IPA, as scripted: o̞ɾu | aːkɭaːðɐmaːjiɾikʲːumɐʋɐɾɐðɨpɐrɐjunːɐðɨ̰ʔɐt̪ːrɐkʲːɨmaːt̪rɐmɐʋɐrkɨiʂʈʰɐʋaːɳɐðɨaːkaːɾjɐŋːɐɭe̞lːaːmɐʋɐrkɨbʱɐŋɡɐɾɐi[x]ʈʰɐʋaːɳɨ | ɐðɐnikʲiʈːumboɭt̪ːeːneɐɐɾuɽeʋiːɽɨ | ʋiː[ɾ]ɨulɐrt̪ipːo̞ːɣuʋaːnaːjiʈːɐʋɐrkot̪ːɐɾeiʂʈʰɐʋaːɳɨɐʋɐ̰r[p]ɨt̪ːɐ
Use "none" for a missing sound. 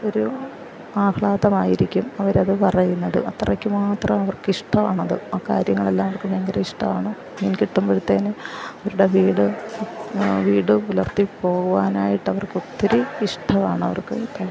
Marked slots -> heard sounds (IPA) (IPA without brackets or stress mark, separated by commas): ʂ, ɽ, k